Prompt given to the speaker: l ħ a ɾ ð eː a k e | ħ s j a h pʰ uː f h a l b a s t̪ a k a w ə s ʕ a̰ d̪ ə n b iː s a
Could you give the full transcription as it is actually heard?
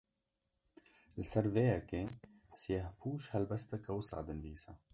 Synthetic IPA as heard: l s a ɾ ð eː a k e | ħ s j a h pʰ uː ʃ h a l b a s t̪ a k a w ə s ʕ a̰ d̪ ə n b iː s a